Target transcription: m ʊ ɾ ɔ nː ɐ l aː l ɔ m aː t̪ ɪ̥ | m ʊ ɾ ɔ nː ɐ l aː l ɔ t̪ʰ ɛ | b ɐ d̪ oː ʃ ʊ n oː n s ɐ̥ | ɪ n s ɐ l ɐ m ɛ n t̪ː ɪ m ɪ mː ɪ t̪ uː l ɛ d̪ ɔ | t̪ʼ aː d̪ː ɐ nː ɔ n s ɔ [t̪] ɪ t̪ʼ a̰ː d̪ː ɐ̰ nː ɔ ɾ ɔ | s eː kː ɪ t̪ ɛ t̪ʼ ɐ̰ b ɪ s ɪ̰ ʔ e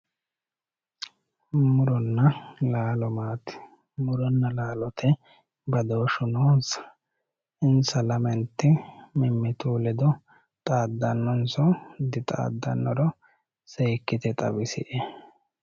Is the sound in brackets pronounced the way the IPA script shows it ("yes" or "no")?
no